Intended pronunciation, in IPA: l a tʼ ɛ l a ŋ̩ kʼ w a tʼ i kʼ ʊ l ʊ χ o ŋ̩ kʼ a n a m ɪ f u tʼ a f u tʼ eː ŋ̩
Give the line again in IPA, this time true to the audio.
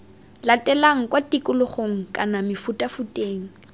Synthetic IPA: l a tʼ ɛ l a ŋ̩ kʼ w a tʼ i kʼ ʊ l ʊ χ o ŋ̩ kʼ a n a m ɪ f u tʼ a f u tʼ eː ŋ̩